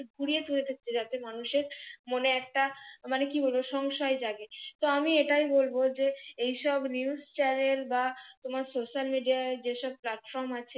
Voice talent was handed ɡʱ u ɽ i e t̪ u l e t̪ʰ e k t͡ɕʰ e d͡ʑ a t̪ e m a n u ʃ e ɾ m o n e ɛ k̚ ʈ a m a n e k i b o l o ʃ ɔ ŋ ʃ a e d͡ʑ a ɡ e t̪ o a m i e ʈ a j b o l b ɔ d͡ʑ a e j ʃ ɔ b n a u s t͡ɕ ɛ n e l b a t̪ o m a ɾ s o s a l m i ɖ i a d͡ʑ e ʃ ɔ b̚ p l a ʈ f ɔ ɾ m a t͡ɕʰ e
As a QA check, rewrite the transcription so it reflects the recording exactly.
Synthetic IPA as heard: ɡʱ u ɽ i e t̪ u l e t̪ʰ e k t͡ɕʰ e d͡ʑ a t̪ e m a n u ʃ e ɾ m o n e ɛ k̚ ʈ a m a n e k i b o l o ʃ ɔ ŋ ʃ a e d͡ʑ a ɡ e t̪ o a m i e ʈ a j b o l b o d͡ʑ e e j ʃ ɔ b n i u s t͡ɕ ɛ n e l b a t̪ o m a ɾ s o ʃ a l m i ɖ i a d͡ʑ e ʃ ɔ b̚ p l a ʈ f ɔ ɾ m a t͡ɕʰ e